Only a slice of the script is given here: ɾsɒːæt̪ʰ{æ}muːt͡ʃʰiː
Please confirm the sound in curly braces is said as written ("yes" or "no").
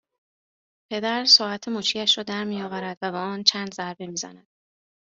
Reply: no